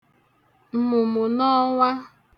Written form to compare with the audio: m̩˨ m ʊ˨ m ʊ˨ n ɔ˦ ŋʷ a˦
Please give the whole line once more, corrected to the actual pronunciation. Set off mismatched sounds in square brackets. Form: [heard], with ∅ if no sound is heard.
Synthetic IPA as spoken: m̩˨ m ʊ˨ m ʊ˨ n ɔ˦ ŋʷ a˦